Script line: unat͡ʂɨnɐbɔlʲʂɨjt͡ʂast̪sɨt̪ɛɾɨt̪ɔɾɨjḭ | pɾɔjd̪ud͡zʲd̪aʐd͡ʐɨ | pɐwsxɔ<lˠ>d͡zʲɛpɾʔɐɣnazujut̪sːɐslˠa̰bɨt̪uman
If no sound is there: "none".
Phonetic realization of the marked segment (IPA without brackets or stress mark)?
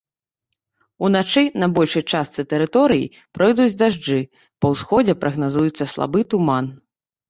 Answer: none